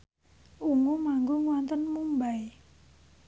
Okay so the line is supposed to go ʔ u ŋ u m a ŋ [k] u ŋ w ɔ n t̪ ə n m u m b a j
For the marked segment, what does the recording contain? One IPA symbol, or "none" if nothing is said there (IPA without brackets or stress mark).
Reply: ɡ